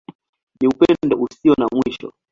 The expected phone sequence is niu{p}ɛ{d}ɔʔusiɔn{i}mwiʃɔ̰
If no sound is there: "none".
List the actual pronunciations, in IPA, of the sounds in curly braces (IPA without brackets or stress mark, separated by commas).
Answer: p, d, a